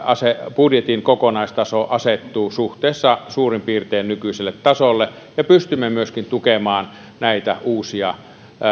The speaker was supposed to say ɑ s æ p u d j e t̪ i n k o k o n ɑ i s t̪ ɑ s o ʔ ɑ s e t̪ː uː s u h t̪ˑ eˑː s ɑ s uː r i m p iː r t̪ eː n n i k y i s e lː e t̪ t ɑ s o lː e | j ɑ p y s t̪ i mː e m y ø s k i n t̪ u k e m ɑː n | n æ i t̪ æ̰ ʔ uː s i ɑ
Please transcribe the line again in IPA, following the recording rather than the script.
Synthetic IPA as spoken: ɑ s e p u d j e t̪ i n k o k o n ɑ i s t̪ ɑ s o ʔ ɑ s e t̪ː uː s u h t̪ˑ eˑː sː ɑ s uː r i m p iː r t̪ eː n n y k y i s e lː e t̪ t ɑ s o lː e | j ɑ p y s t̪ y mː e m y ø s k i n t̪ u k e m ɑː n | n æ i t̪ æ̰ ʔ uː s i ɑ